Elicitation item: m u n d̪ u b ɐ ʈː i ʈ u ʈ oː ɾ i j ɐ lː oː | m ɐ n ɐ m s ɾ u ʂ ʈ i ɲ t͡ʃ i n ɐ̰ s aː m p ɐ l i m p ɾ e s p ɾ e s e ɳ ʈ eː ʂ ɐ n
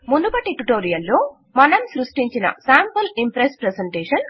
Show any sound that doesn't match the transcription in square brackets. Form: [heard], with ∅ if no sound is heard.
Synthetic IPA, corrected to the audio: m u n d̪ u b ɐ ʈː i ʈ u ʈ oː ɾ i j ɐ lː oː | m ɐ n ɐ m s ɾ u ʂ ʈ i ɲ t͡ʃ i n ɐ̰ s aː m p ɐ l i m p ɾ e s p ɾ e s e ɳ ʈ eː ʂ ɐ n